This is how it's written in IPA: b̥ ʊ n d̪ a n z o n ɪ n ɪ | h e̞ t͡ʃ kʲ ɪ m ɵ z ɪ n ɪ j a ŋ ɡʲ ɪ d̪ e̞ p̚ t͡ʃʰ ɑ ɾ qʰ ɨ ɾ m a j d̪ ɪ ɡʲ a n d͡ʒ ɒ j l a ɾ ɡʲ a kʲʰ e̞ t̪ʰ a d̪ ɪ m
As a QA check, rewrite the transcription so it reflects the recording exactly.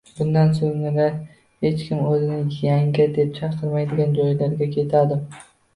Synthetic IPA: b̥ ʊ n d̪ a n s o ŋ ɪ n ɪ | h e̞ t͡ʃ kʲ ɪ m ɵ z ɪ n ɪ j a ŋ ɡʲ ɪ d̪ e̞ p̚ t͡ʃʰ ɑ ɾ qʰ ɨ ɾ m a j d̪ ɪ ɡʲ a n d͡ʒ ɒ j l a ɾ ɡʲ a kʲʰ e̞ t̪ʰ a d̪ ɪ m